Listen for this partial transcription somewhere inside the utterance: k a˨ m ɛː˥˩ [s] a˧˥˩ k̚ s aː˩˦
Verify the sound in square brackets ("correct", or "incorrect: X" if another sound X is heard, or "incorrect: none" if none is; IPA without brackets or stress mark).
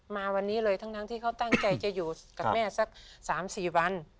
correct